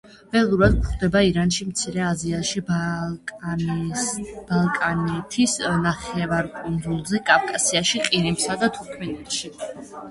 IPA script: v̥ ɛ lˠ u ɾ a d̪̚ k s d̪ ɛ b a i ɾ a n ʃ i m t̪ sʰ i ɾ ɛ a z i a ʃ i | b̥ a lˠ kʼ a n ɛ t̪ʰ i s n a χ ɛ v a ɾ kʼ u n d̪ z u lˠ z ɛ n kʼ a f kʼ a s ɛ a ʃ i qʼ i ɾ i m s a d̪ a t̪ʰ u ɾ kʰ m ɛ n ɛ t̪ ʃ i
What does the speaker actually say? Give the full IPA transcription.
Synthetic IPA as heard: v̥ ɛ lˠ u ɾ a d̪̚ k χ d̪ ɛ b a i ɾ a n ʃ i m t̪ sʰ i ɾ ɛ a z i a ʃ i | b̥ a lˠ kʼ a n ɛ t̪ʰ i s n a χ ɛ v a ɾ kʼ u n d̪ z u lˠ z ɛ kʼ a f kʼ a s i a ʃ i qʼ i ɾ i m s a d̪ a t̪ʰ u ɾ kʰ m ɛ n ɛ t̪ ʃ i

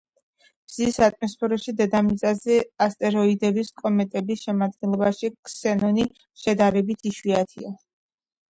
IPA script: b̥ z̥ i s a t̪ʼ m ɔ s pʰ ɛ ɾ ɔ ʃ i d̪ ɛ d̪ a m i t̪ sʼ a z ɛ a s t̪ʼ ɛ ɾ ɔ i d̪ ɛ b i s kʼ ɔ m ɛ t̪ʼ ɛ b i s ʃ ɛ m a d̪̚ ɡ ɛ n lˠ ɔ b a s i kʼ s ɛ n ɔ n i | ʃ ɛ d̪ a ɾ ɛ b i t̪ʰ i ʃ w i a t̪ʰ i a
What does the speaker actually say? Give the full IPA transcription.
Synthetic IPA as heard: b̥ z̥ i s a t̪ʼ m ɔ s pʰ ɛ ɾ ɔ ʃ i d̪ ɛ d̪ a m i t̪ sʼ a z ɛ a s t̪ʼ ɛ ɾ ɔ i d̪ ɛ b i s kʼ ɔ m ɛ t̪ʼ ɛ b i s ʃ ɛ m a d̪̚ ɡ ɛ n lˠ ɔ b a ʃ i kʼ s ɛ n ɔ n i | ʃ ɛ d̪ a ɾ ɛ b i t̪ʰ i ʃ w i a t̪ʰ i a

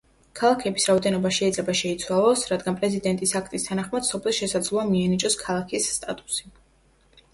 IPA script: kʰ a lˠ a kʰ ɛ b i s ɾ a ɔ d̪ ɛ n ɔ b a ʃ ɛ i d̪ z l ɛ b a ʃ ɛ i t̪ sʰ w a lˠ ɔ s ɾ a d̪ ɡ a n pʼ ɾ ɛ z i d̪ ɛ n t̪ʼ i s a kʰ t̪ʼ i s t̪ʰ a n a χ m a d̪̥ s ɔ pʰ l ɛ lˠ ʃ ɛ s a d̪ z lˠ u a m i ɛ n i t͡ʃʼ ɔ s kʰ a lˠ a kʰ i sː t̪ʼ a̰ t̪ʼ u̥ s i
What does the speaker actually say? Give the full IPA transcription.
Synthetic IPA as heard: kʰ a lˠ a kʰ ɛ b i s ɾ a ɔ d̪ ɛ n ɔ b a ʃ ɛ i d̪ z l ɛ b a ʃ ɛ i t̪ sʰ w a lˠ ɔ s ɾ a d̪ ɡ a n pʼ ɾ ɛ z i d̪ ɛ n t̪ʼ i s a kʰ t̪ʼ i s t̪ʰ a n a χ m a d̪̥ s ɔ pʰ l ɛ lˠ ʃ ɛ s a d̪ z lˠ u a m i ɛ n i t͡ʃʼ ɔ s kʰ a lˠ a kʰ i sː t̪ʼ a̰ t̪ʼ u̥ s i

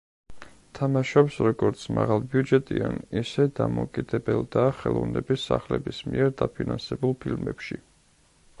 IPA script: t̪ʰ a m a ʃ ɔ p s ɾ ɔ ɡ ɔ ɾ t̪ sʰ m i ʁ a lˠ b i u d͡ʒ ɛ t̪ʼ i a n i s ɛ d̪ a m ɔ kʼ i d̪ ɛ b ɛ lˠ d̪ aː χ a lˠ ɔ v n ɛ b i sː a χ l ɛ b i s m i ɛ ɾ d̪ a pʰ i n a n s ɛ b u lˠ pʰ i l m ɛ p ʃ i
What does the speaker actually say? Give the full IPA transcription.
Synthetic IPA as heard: t̪ʰ a m a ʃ ɔ p s ɾ ɔ ɡ ɔ ɾ t̪ sʰ m a ʁ a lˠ b i u d͡ʒ ɛ t̪ʼ i a n i s ɛ d̪ a m ɔ kʼ i d̪ ɛ b ɛ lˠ d̪ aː χ ɛ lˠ ɔ v n ɛ b i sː a χ l ɛ b i s m i ɛ ɾ d̪ a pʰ i n a n s ɛ b u lˠ pʰ i l m ɛ p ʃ i

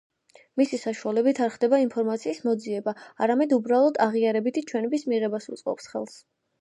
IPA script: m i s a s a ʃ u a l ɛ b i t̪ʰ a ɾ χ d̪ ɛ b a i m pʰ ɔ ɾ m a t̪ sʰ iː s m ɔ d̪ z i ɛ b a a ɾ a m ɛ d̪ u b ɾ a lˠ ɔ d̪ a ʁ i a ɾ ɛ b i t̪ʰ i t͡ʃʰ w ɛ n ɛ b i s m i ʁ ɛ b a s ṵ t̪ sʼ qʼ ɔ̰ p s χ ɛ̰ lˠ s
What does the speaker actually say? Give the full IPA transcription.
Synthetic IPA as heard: m i s i s a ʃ u a l ɛ b i t̪ʰ a ɾ χ d̪ ɛ b a i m pʰ ɔ ɾ m a t̪ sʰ iː s m ɔ d̪ z i ɛ b a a ɾ a m ɛ d̪ u b ɾ a lˠ ɔ d̪ a ʁ i a ɾ ɛ b i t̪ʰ i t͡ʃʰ w ɛ n ɛ b i s m i ʁ ɛ b a s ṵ t̪ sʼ qʼ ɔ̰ p s χ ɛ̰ lˠ s

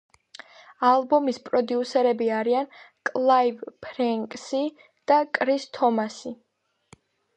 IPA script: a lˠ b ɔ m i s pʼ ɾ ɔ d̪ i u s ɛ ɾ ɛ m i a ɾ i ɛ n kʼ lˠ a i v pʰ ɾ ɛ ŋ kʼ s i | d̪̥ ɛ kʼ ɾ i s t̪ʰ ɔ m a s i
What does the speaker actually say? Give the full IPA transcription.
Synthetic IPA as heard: a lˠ b ɔ m i s pʼ ɾ ɔ d̪ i u s ɛ ɾ ɛ b i a ɾ i a n kʼ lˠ a i v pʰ ɾ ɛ ŋ kʼ s i | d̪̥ a kʼ ɾ i s t̪ʰ ɔ m a s i

